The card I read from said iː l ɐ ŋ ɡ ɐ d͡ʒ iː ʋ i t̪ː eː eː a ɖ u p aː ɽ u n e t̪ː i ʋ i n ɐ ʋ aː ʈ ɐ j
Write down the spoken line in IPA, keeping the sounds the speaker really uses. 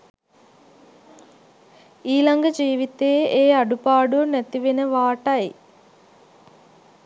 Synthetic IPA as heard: iː l ɐ ŋ ɡ ɐ d͡ʒ iː ʋ i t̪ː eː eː ɐ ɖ u p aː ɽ u n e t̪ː i ʋ i n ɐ ʋ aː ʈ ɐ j